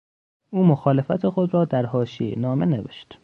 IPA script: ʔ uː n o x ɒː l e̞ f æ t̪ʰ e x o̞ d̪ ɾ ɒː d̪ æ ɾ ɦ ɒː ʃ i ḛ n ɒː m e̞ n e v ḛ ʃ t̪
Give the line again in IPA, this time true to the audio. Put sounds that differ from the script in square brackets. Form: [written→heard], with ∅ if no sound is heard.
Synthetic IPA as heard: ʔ uː [n→m] o x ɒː l e̞ f æ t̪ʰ e x o̞ d̪ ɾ ɒː d̪ æ ɾ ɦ ɒː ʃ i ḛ n ɒː m e̞ n e v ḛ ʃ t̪